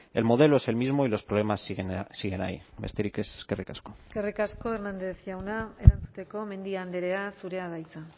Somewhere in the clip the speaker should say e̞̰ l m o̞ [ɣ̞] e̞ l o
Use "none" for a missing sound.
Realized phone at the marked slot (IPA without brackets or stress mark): ð̞